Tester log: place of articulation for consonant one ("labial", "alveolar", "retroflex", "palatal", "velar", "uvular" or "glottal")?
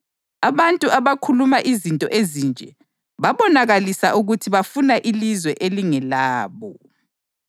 labial